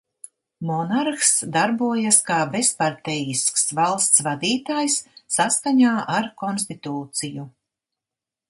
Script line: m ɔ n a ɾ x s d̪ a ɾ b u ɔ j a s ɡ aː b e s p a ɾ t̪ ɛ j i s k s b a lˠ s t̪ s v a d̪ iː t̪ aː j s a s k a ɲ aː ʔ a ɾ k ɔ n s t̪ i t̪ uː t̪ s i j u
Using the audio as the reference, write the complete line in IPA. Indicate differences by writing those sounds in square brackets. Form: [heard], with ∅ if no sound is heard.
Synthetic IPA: m ɔ n a ɾ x s d̪ a ɾ b u ɔ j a s [k] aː b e s p a ɾ t̪ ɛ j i s k s [v] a lˠ s t̪ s v a d̪ iː t̪ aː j [sː] a s k a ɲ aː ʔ a ɾ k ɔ n s t̪ i t̪ uː t̪ s i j u

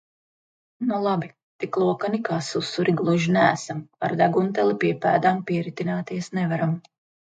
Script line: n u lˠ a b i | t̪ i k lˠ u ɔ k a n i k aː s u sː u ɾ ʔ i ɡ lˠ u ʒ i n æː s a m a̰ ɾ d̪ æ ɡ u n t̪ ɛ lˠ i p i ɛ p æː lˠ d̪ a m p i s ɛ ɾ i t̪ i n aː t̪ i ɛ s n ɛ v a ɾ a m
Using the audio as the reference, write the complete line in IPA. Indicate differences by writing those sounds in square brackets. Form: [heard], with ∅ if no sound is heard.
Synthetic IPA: n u lˠ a b i | t̪ i k lˠ u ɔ k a n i k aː s u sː u ɾ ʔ i ɡ lˠ u ʒ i n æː s a m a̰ ɾ d̪ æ ɡ u n t̪ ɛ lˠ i p i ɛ p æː [∅] d̪ a m p i [∅] ɛ ɾ i t̪ i n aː t̪ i ɛ s n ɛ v a ɾ a m

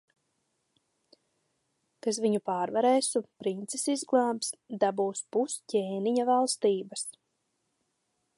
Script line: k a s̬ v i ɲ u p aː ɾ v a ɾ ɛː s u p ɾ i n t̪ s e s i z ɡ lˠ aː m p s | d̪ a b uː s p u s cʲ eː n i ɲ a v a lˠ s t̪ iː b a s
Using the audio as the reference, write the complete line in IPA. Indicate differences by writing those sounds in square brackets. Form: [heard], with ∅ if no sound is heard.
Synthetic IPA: k a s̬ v i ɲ u p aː ɾ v a ɾ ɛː s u p ɾ i n t̪ s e s i z ɡ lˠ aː m p s | d̪ a b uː s p u s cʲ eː n i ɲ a v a lˠ s t̪ iː b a s

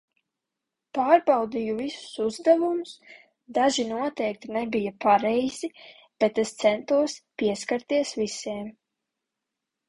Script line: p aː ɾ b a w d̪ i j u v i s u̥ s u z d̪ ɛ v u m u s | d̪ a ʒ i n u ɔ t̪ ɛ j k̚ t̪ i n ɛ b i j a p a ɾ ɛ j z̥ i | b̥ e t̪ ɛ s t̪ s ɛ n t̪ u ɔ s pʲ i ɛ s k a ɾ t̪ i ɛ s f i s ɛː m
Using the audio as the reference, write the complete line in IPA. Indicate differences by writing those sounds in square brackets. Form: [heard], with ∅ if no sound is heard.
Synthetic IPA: p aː ɾ b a w d̪ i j u v i s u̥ s u z d̪ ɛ v u m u s | d̪ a ʒ i n u ɔ t̪ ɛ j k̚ t̪ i n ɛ b i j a p a ɾ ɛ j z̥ i | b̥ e t̪ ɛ s t̪ s ɛ n t̪ u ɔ s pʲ i ɛ s k a ɾ t̪ i ɛ s [v] i s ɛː m

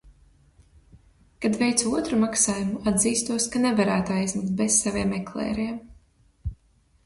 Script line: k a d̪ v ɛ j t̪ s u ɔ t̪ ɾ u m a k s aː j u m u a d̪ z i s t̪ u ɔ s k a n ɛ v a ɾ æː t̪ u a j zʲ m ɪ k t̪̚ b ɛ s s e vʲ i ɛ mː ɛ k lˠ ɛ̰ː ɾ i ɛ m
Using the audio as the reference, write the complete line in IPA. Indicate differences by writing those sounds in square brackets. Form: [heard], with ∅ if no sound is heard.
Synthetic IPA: k a d̪ v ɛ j t̪ s u ɔ t̪ ɾ u m a k s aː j u m u a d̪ z [iː] s t̪ u ɔ s k a n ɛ v a ɾ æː t̪ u a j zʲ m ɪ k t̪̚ b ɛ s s [a] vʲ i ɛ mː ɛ k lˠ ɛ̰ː ɾ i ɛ m

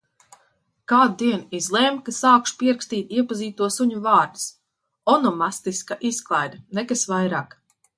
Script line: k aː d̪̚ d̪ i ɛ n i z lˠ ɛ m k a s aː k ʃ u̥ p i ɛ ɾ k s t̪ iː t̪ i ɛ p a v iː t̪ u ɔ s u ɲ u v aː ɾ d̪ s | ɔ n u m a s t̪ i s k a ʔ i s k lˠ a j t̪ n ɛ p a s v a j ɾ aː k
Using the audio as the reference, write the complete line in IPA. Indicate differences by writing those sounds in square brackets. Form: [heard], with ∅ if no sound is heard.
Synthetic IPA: k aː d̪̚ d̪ i ɛ n i z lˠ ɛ m k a s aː k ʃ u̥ p i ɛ ɾ k s t̪ iː t̪ i ɛ p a [z] iː t̪ u ɔ s u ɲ u v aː ɾ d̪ s | ɔ n [ɔ] m a s t̪ i s k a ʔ i s k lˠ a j [d̪] n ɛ [k] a s v a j ɾ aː k

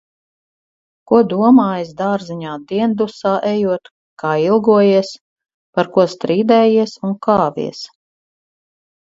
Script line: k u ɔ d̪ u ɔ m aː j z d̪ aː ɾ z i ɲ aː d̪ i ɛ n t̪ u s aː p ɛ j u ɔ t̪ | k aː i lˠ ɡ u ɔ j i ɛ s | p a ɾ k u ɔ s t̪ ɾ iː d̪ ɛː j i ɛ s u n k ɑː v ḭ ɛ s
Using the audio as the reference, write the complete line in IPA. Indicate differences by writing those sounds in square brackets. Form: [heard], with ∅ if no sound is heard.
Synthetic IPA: k u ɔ d̪ u ɔ m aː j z d̪ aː ɾ z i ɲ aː d̪ i ɛ n [d̪] u s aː [ʔ] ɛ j u ɔ t̪ | k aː i lˠ ɡ u ɔ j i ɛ s | p a ɾ k u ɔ s t̪ ɾ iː d̪ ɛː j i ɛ s u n k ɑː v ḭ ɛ s

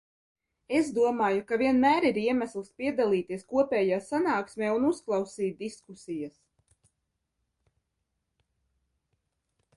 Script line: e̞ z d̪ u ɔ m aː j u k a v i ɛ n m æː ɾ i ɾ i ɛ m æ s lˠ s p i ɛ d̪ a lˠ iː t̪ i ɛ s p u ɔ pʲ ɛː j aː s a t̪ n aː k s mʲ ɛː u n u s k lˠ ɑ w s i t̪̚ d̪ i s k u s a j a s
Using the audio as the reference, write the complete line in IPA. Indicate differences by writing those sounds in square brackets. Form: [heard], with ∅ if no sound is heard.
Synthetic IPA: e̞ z d̪ u ɔ m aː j u k a v i ɛ n m æː ɾ i ɾ i ɛ m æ s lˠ s p i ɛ d̪ a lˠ iː t̪ i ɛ s [k] u ɔ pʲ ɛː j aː s a [∅] n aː k s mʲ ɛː u n u s k lˠ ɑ w s [iː] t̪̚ d̪ i s k u s [i] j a s

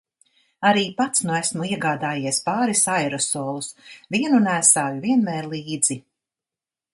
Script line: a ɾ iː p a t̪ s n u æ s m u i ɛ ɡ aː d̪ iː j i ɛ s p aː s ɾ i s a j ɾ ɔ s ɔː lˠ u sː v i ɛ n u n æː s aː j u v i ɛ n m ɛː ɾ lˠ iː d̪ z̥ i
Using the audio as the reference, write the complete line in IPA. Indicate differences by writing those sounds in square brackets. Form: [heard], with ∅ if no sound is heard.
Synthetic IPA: a ɾ iː p a t̪ s n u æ s m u i ɛ ɡ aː d̪ [aː] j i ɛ s p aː [∅] ɾ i s a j ɾ ɔ s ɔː lˠ u [s] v i ɛ n u n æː s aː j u v i ɛ n m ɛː ɾ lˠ iː d̪ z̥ i

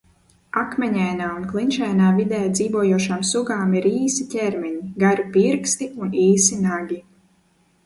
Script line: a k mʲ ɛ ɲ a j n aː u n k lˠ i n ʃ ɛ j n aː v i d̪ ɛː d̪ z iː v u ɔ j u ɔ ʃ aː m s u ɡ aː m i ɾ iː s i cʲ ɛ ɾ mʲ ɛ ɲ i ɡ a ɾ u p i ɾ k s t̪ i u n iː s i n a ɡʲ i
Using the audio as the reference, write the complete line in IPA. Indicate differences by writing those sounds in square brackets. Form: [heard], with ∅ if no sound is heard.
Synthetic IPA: a k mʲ ɛ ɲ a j n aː u n k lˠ i n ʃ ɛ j n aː v i d̪ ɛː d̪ z iː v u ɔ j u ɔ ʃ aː m s u ɡ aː m i ɾ iː s i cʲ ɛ ɾ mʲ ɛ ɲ i ɡ a ɾ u p i ɾ k s t̪ i u n iː s i n a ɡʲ i

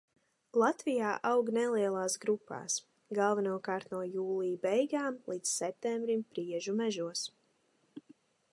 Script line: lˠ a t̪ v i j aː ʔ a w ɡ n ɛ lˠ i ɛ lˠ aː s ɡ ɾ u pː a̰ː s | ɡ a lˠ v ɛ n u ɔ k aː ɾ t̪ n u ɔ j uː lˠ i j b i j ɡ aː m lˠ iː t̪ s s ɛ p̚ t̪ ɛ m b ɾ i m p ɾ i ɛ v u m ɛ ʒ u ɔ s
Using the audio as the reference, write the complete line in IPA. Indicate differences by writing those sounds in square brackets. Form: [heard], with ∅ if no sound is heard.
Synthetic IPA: lˠ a t̪ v i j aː ʔ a w ɡ n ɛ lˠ i ɛ lˠ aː s ɡ ɾ u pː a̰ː s | ɡ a lˠ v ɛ n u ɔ k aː ɾ t̪ n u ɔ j uː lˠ i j b [ɛ] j ɡ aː m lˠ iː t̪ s s ɛ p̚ t̪ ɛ m b ɾ i m p ɾ i ɛ [ʒ] u m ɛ ʒ u ɔ s

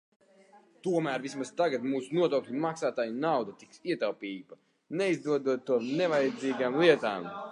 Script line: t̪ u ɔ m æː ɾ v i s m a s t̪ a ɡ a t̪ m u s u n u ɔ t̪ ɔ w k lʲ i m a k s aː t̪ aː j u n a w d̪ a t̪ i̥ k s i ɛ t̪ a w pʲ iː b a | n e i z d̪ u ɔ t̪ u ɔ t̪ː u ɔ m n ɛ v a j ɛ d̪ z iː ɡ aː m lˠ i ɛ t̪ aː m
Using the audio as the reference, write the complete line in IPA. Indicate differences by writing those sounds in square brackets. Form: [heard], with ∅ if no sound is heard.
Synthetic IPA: t̪ u ɔ m æː ɾ v i s m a s t̪ a ɡ a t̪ m [uː] s u n u ɔ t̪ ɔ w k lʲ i m a k s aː t̪ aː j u n a w d̪ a t̪ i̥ k s i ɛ t̪ a w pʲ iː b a | n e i z d̪ u ɔ [d̪] u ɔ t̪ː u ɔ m n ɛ v a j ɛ d̪ z iː ɡ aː m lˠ i ɛ t̪ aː m

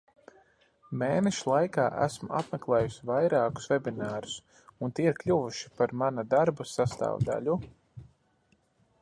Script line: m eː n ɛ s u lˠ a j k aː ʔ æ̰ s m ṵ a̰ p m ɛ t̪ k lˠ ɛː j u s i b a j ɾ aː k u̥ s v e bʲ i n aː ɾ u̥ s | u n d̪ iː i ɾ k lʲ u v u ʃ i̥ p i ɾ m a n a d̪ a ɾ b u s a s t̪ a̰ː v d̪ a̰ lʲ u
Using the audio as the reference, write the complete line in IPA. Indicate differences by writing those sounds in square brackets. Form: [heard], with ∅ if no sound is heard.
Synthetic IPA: m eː n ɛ [ʃ] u lˠ a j k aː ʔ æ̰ s m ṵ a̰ p m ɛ [∅] k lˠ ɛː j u s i [v] a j ɾ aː k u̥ s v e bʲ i n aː ɾ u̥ s | u n [t̪] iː i ɾ k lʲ u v u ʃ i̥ p [a] ɾ m a n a d̪ a ɾ b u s a s t̪ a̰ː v d̪ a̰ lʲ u

